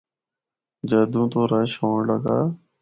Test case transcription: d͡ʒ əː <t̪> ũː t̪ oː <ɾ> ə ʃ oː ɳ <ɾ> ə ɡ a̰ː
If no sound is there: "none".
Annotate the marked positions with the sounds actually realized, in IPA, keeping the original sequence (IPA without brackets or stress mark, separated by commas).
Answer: d̪, ɾ, l